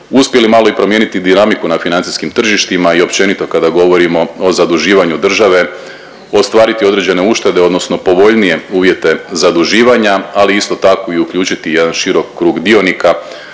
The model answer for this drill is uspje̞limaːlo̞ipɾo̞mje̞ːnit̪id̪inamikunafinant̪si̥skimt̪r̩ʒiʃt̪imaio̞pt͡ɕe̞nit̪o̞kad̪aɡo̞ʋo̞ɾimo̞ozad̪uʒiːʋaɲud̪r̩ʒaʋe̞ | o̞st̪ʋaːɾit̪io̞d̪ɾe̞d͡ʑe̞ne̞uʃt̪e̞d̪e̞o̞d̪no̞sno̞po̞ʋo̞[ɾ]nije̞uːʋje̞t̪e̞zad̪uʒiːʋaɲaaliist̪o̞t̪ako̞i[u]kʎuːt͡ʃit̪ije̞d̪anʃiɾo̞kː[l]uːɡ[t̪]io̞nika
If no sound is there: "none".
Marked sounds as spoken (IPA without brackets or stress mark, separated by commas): ʎ, u, ɾ, d̪